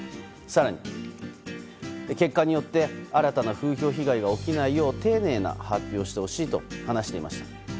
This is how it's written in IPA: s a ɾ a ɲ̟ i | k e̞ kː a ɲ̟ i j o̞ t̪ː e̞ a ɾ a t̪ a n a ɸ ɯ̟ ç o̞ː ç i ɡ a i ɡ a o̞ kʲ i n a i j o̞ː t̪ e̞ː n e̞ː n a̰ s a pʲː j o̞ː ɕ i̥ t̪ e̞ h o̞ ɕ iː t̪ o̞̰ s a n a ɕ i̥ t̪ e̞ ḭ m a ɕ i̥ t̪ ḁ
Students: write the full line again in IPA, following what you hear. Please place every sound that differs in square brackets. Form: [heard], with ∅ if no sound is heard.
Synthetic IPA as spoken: s a ɾ a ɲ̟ i | k e̞ kː a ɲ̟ i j o̞ t̪ː e̞ a ɾ a t̪ a n a ɸ [ɯ̟ː] ç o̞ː ç i ɡ a i ɡ a o̞ kʲ i n a i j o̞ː t̪ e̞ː n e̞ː n a̰ [h] a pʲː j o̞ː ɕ i̥ t̪ e̞ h o̞ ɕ iː t̪ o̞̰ [h] a n a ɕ i̥ t̪ e̞ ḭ m a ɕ i̥ t̪ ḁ